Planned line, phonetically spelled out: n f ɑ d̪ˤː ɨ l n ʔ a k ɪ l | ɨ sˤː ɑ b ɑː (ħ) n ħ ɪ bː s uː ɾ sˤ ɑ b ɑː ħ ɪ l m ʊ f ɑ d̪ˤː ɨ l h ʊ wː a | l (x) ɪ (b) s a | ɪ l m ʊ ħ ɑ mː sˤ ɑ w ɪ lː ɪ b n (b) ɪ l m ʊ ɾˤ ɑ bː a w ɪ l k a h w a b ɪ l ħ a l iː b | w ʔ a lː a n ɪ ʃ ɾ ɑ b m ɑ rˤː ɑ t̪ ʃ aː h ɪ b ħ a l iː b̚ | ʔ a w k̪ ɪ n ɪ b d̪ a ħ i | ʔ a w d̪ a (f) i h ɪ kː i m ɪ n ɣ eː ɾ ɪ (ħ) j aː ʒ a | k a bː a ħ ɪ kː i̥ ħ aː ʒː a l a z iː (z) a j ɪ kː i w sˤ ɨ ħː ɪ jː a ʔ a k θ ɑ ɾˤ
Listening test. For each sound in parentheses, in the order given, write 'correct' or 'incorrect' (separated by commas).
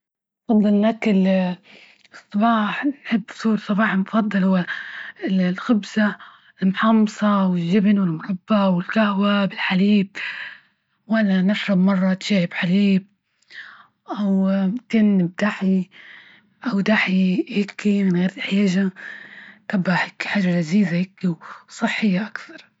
correct, correct, correct, incorrect, incorrect, correct, correct